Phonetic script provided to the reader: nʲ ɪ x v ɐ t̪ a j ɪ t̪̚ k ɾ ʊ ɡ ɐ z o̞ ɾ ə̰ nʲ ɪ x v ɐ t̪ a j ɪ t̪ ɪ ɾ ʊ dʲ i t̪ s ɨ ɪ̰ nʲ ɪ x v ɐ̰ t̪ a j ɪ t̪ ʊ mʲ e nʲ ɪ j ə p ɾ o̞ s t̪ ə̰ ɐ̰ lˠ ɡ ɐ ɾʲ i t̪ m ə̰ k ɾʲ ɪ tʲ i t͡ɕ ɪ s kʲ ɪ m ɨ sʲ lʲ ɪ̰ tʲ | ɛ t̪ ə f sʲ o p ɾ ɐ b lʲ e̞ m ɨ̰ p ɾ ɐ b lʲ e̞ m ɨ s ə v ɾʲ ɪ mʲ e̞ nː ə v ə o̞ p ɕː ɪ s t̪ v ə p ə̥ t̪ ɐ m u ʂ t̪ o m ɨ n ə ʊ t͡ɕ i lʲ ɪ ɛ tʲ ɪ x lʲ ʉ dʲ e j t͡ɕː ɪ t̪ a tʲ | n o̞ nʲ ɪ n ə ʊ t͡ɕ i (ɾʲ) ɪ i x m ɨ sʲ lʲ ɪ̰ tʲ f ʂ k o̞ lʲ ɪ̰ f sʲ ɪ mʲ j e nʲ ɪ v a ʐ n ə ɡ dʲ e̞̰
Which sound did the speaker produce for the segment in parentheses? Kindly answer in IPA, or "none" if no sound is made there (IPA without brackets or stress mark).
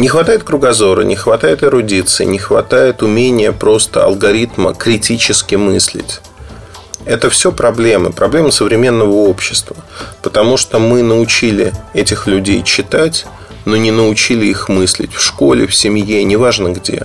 lʲ